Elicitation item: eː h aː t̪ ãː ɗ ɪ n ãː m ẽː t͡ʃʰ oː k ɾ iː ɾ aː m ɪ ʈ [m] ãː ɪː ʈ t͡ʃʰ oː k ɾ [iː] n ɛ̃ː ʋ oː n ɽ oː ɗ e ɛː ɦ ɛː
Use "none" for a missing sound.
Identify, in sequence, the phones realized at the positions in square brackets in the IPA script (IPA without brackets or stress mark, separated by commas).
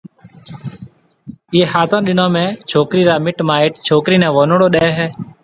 m, iː